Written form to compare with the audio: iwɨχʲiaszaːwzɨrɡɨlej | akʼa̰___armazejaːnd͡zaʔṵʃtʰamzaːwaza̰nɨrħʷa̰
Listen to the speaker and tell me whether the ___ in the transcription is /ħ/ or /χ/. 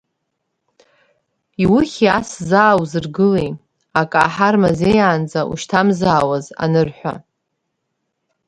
ħ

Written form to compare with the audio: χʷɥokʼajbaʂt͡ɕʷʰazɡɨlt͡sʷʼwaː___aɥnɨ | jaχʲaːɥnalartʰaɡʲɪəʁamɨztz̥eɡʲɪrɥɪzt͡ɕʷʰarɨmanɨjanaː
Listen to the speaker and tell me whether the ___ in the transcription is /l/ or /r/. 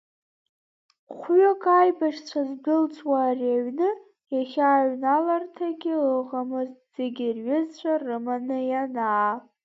r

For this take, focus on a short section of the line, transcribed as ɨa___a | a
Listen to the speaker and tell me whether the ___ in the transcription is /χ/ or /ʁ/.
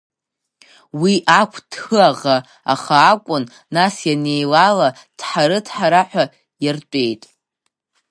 ʁ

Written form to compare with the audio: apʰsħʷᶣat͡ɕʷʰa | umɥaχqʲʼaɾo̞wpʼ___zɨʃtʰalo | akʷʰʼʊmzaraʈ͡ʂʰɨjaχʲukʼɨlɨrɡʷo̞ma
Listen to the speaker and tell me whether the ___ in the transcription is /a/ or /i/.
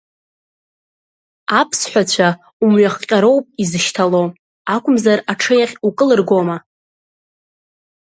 i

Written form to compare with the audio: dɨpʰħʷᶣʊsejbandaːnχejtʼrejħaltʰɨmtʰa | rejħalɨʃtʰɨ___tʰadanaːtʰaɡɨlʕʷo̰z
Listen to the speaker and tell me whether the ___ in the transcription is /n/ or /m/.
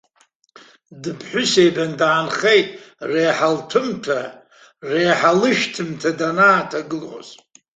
m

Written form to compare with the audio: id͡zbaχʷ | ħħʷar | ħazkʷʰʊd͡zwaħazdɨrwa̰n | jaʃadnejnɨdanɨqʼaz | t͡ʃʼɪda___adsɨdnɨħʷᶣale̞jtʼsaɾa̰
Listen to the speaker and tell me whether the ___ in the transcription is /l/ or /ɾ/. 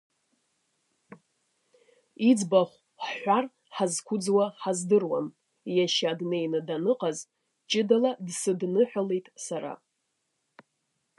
l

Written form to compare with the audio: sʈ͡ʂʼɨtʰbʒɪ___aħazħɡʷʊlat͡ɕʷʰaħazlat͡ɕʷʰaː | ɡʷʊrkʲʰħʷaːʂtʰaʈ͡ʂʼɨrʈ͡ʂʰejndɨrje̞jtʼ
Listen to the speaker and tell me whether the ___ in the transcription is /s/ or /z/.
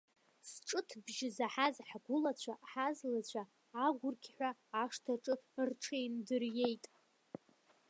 z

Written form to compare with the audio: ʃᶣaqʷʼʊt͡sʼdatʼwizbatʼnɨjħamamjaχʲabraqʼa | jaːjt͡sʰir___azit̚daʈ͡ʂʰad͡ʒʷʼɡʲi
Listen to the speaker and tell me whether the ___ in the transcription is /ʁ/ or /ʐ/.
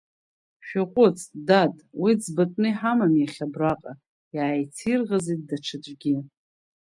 ʁ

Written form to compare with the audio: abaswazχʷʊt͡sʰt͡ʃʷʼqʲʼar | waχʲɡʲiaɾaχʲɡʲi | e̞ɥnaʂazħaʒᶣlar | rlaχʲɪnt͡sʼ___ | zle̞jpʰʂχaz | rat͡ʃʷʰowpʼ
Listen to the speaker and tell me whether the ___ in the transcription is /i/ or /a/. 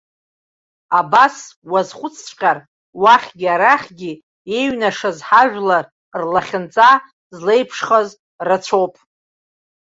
a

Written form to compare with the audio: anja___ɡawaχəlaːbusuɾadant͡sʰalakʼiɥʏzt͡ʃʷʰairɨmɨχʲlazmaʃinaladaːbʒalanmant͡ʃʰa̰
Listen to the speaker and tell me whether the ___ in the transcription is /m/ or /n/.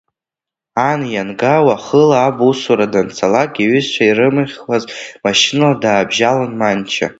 n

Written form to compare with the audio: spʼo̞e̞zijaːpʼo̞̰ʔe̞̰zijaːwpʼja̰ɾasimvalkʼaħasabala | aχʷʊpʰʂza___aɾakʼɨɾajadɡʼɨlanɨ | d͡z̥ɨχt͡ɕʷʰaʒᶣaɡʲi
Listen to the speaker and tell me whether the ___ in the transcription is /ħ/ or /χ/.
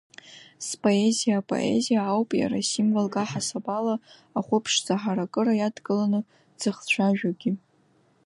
ħ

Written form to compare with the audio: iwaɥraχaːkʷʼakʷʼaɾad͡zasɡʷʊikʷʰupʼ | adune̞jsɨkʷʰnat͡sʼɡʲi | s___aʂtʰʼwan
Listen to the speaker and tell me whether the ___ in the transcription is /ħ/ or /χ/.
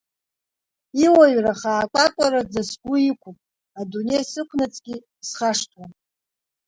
χ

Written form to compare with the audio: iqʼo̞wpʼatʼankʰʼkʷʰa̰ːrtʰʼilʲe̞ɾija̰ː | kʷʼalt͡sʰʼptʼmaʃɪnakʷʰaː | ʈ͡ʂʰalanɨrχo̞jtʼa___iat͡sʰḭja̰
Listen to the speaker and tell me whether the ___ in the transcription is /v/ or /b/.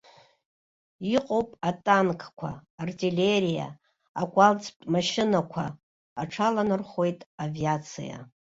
v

